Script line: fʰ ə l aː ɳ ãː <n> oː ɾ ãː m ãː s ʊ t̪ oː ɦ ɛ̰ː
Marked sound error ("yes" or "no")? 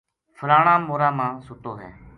yes